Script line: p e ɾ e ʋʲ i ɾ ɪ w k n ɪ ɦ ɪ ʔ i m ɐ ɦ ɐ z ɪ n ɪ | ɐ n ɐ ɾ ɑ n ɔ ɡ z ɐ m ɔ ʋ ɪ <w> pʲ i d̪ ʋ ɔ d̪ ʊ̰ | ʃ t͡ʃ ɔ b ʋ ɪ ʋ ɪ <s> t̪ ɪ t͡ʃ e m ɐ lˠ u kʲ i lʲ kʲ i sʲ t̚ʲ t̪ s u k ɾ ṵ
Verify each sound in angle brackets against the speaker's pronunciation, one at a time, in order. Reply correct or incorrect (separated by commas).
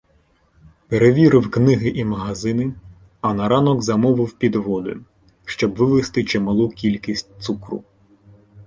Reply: correct, correct